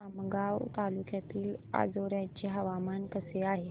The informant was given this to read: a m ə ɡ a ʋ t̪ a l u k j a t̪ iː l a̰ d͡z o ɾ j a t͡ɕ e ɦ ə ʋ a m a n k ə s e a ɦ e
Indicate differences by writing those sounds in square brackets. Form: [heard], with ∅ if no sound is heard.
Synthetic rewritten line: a m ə ɡ a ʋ t̪ a l u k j a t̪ iː l a̰ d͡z o ɾ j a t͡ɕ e ɦ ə ʋ a m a n k ə s e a ɦ e